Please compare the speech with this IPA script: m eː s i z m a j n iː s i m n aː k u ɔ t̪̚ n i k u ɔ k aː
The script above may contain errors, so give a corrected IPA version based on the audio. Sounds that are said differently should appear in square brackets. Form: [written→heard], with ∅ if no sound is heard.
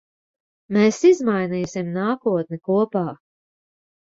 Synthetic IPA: m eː s i z m a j n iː s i m n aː k u ɔ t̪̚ n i k u ɔ [k→p] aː